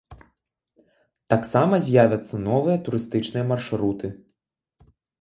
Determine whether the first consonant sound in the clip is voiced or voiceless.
voiceless